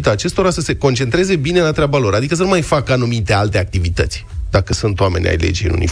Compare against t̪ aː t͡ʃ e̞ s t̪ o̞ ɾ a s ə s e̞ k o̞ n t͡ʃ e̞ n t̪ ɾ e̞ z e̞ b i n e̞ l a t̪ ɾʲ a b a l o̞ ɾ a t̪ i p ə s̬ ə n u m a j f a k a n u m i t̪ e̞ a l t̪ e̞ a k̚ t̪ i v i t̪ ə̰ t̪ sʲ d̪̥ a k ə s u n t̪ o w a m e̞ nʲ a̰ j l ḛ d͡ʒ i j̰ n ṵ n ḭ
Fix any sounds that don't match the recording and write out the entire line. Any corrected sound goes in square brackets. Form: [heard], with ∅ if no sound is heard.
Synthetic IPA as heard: t̪ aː t͡ʃ e̞ s t̪ o̞ ɾ a s ə s e̞ k o̞ n t͡ʃ e̞ n t̪ ɾ e̞ z e̞ b i n e̞ l a t̪ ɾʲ a b a l o̞ ɾ a [d̪] i [k] ə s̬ ə n u m a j f a k a n u m i t̪ e̞ a l t̪ e̞ a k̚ t̪ i v i t̪ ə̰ t̪ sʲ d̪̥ a k ə s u n t̪ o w a m e̞ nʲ a̰ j l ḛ d͡ʒ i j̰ n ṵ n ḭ